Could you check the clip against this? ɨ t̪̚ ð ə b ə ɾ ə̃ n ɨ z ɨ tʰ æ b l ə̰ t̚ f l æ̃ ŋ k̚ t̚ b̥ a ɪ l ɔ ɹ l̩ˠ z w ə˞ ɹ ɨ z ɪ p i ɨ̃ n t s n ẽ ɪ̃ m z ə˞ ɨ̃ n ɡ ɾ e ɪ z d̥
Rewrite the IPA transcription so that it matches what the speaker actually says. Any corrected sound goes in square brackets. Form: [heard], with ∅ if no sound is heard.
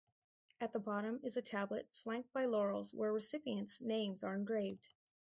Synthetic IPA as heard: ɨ t̪̚ ð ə b [ɑ] ɾ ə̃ [m] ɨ z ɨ tʰ æ b l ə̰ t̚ f l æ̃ ŋ k̚ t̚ b̥ a ɪ l ɔ ɹ l̩ˠ z w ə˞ ɹ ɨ [s] ɪ p i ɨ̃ n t s n ẽ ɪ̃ m z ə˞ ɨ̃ n ɡ [ɹ] e ɪ [v] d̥